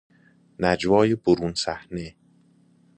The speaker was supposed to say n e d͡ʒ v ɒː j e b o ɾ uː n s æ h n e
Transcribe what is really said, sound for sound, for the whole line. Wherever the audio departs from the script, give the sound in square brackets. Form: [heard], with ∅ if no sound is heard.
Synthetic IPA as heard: n [æ] d͡ʒ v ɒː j e b o ɾ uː n s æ h n e